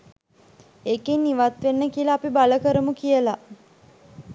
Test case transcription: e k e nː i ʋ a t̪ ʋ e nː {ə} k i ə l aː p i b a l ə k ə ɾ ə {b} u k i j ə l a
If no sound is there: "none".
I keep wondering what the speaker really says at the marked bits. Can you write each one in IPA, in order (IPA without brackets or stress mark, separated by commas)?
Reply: ə, m